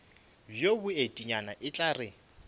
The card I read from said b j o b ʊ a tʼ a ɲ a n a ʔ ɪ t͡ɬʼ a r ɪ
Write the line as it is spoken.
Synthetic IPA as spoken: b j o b ʊ e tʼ i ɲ a n a ʔ ɪ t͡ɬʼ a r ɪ